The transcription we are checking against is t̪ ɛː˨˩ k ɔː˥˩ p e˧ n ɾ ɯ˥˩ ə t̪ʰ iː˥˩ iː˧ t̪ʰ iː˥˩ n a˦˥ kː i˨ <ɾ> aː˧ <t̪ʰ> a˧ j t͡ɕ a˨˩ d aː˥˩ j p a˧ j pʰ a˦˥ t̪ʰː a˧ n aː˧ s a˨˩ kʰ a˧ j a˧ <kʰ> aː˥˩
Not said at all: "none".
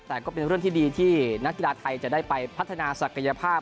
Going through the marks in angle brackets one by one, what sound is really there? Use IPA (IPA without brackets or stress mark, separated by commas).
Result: l, t̪ʰ, pʰ